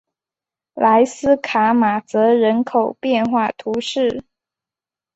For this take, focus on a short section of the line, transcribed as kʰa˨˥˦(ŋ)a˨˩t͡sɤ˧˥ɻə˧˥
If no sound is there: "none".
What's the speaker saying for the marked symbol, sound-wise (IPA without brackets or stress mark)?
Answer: m